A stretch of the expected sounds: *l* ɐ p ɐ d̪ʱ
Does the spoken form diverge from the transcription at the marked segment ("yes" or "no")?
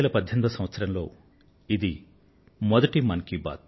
no